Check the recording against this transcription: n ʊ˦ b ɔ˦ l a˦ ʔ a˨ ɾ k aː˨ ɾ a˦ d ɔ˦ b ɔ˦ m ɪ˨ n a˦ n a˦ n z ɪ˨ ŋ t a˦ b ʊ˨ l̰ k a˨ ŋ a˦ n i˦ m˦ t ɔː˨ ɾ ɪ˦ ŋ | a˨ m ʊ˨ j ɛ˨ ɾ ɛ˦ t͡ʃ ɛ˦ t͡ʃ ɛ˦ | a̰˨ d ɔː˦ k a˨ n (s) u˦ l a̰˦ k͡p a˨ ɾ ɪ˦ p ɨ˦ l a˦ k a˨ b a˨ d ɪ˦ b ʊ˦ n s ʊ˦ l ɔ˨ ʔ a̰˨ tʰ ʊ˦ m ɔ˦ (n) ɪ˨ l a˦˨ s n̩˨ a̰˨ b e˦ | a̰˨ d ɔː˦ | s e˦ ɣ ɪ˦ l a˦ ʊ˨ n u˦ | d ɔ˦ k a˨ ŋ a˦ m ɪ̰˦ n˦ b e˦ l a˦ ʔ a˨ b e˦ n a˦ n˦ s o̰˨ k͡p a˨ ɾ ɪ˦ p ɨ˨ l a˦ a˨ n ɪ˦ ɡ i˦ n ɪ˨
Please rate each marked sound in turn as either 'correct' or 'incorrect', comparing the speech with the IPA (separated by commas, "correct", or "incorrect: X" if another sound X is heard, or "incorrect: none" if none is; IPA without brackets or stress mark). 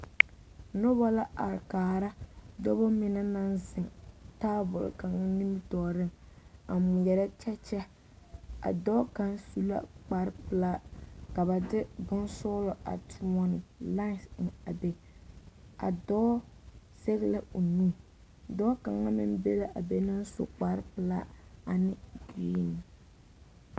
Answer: correct, correct